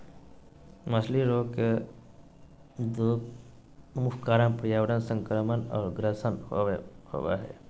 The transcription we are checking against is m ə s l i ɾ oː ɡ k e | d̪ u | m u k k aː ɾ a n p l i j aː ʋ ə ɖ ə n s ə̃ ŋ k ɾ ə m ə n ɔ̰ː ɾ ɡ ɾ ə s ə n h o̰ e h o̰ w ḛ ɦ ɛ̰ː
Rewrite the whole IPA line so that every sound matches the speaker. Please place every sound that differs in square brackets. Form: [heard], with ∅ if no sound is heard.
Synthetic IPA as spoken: m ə s l i ɾ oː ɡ k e | d̪ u | m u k k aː ɾ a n p [ɾ] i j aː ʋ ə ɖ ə n s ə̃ ŋ k ɾ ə m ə n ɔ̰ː ɾ ɡ ɾ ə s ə n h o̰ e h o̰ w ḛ ɦ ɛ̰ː

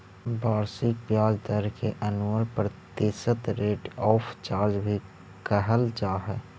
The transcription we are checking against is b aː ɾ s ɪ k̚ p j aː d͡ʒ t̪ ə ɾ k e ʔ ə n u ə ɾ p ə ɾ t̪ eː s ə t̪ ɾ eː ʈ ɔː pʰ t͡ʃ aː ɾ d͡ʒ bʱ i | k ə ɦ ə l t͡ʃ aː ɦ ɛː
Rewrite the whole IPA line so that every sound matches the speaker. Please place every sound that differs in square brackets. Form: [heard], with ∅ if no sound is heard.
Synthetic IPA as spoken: b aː ɾ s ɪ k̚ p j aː d͡ʒ [d̪] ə ɾ k e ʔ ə n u ə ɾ p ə ɾ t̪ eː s ə t̪ ɾ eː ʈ ɔː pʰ t͡ʃ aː ɾ d͡ʒ bʱ i | k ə ɦ ə l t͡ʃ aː ɦ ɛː

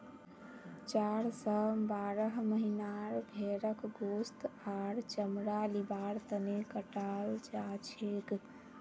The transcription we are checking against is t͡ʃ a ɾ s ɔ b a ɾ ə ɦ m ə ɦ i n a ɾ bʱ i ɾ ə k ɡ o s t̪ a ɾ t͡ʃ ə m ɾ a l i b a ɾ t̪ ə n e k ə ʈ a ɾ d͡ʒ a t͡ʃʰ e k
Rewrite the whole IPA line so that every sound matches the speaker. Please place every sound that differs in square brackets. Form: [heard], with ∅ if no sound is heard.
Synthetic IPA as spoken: t͡ʃ a ɾ s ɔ b a ɾ ə ɦ m ə ɦ i n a ɾ bʱ [e] ɾ ə k ɡ o s t̪ a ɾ t͡ʃ ə m ɾ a l i b a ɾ t̪ ə n e k ə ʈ a [l] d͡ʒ a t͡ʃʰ e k

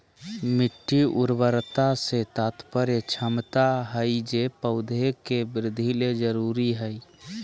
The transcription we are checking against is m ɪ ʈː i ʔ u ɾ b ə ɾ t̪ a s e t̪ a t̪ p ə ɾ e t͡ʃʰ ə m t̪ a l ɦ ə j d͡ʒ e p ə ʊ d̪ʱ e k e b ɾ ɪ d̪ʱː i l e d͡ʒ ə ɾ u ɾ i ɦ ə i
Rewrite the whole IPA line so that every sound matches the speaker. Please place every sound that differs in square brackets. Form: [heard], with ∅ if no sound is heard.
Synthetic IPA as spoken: m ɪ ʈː i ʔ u ɾ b ə ɾ t̪ a s e t̪ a t̪ p ə ɾ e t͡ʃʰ ə m t̪ a [∅] ɦ ə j d͡ʒ e p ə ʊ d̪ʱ e k e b ɾ ɪ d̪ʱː i l e d͡ʒ ə ɾ u ɾ i ɦ ə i

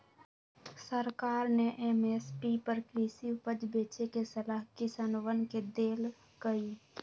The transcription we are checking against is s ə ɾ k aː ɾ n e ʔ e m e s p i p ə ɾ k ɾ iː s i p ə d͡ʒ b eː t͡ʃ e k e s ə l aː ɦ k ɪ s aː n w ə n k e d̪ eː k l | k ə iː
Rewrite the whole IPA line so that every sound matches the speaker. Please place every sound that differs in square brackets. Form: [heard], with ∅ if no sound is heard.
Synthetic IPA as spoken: s ə ɾ k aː ɾ n e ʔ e m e s p i p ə ɾ k ɾ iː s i p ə d͡ʒ b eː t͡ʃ e k e s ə l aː ɦ k ɪ s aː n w ə n k e d̪ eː [∅] l | k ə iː

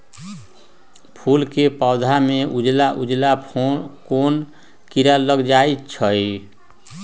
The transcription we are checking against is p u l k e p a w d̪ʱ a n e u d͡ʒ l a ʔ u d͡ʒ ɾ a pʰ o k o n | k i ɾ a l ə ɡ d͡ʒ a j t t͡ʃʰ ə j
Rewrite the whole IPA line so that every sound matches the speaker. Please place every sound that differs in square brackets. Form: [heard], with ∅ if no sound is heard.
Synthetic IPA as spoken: [pʰ] u l k e p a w d̪ʱ a [m] e u d͡ʒ l a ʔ u d͡ʒ [l] a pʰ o k o n | k i ɾ a l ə ɡ d͡ʒ a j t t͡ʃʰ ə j

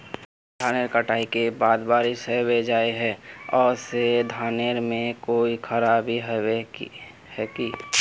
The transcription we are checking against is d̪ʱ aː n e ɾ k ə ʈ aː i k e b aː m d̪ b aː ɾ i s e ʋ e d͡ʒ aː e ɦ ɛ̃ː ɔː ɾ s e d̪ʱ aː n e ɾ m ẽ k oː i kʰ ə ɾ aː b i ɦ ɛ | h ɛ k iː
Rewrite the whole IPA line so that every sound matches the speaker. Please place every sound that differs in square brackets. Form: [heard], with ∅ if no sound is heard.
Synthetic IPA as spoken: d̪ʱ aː n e ɾ k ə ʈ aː i k e b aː [∅] d̪ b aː ɾ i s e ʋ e d͡ʒ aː e ɦ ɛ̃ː ɔː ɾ s e d̪ʱ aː n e ɾ m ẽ k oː i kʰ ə ɾ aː b i ɦ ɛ | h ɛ k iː

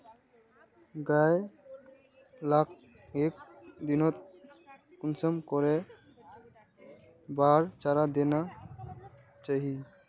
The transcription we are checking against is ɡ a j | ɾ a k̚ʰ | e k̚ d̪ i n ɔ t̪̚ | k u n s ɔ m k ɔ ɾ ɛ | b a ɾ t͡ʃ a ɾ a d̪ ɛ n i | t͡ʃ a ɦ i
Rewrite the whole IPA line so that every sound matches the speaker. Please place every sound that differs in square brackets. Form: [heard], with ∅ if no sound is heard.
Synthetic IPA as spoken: ɡ a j | [l] a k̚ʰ | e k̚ d̪ i n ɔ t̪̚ | k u n s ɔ m k ɔ ɾ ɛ | b a ɾ t͡ʃ a ɾ a d̪ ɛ n [a] | t͡ʃ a ɦ i

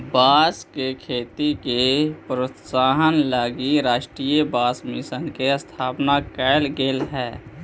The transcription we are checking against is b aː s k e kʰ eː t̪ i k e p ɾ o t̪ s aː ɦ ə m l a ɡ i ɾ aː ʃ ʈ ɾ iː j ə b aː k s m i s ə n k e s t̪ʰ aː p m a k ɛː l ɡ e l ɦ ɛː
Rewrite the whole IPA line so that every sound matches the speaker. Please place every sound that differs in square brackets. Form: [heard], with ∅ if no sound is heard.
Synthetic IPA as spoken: b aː s k e kʰ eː t̪ i k e p ɾ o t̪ s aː ɦ ə [n] l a ɡ i ɾ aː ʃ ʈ ɾ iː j ə b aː [∅] s m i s ə n k e s t̪ʰ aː p [n] a k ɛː l ɡ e l ɦ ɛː

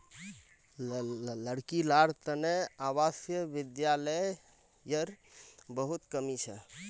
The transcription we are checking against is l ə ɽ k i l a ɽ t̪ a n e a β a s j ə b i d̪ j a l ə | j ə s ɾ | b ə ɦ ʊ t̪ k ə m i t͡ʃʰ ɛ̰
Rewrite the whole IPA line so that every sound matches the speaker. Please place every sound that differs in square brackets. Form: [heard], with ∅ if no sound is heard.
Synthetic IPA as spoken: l ə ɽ k i l a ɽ t̪ [ə] n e a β a s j ə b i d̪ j a l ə | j ə [∅] ɾ | b ə ɦ [u] t̪ k ə m i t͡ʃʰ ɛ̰

